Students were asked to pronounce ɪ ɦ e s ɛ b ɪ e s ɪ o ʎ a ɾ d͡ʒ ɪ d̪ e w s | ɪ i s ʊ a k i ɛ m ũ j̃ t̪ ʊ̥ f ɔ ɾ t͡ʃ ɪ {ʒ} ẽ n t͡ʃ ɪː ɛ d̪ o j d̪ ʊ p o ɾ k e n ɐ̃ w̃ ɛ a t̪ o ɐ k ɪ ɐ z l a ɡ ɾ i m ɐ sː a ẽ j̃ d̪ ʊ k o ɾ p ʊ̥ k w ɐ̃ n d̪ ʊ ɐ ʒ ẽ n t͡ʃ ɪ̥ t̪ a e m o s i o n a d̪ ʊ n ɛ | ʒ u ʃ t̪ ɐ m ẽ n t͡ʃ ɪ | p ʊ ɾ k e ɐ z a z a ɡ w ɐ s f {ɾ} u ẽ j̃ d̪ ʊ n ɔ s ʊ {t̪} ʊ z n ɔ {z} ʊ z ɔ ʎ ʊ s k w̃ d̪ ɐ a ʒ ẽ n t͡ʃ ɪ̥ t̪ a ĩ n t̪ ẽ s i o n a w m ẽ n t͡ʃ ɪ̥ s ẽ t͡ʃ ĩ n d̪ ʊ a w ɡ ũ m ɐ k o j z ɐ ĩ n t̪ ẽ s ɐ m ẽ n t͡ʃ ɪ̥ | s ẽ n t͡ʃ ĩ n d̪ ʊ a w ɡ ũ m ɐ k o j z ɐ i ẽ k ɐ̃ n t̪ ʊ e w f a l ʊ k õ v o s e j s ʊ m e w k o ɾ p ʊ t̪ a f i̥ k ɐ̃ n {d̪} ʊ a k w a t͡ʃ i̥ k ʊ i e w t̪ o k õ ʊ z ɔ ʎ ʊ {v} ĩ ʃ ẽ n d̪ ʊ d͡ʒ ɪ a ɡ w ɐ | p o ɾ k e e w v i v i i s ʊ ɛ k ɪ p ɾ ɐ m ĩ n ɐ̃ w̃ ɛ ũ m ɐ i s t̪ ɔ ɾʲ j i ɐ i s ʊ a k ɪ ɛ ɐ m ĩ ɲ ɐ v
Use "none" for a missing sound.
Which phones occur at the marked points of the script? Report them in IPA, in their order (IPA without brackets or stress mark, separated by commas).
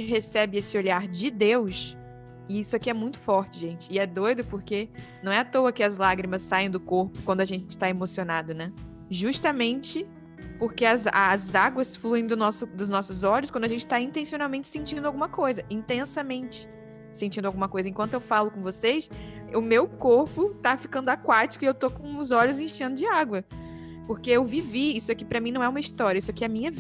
ʒ, l, d̪, s, d̪, z